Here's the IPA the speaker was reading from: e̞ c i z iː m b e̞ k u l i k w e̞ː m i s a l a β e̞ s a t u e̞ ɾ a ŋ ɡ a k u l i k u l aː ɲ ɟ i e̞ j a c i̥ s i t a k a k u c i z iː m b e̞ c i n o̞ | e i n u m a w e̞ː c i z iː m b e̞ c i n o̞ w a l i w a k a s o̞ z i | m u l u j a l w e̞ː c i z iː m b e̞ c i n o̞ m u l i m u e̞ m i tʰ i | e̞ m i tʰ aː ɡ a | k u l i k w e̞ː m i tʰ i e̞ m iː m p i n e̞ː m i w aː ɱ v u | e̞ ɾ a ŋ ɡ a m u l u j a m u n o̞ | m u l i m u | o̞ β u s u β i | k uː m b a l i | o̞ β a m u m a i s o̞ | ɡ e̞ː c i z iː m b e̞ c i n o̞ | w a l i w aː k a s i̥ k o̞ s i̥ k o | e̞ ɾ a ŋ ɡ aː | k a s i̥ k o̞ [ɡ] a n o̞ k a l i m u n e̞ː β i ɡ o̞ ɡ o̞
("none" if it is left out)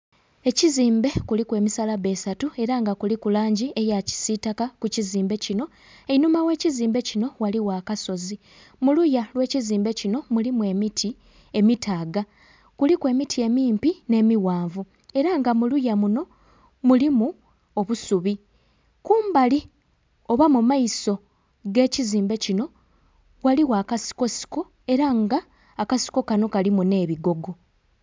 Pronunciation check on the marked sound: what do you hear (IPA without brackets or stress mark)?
k